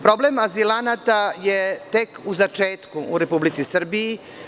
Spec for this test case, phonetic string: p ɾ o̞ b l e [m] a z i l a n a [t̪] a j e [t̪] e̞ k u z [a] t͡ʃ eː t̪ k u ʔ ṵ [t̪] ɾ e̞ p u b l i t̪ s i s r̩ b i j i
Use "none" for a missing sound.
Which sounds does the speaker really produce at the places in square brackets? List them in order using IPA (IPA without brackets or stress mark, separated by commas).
m, t̪, t̪, a, none